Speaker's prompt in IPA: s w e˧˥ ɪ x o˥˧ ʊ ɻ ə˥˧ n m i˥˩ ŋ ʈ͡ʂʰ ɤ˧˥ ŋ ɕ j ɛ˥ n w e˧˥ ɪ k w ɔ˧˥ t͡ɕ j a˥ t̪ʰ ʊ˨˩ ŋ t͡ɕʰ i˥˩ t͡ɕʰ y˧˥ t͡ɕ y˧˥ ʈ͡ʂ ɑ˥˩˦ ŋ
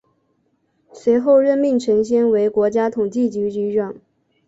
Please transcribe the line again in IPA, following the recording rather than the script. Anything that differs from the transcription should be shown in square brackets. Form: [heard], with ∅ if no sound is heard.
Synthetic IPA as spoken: s w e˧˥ ɪ x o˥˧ ʊ ɻ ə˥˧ n m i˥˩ ŋ ʈ͡ʂʰ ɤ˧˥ ŋ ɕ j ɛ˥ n w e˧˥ ɪ k w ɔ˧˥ t͡ɕ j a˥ t̪ʰ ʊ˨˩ ŋ [t͡ɕ] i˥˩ [t͡ɕ] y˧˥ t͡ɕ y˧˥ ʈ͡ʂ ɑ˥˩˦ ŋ